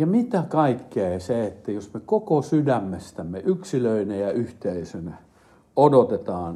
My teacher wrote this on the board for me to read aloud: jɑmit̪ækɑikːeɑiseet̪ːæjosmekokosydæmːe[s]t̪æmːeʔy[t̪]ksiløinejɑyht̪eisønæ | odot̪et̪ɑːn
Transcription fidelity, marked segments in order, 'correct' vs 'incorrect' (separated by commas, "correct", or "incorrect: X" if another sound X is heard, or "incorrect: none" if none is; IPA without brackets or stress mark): correct, incorrect: none